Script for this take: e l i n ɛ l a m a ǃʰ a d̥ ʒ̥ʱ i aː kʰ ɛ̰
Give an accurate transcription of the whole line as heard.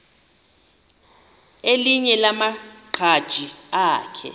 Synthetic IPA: e l i ɲ ɛ l a m a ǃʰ a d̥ ʒ̥ʱ i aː kʰ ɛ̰